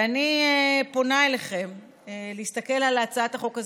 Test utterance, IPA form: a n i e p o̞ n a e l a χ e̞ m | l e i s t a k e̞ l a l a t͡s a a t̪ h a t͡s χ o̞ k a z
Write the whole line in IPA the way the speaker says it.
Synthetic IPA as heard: a n i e p o̞ n a e l e χ e̞ m | l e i s t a k e̞ l a l a t͡s a a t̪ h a χ o̞ k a z